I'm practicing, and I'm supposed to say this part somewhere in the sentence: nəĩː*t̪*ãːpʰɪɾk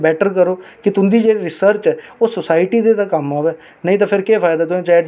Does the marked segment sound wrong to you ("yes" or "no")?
no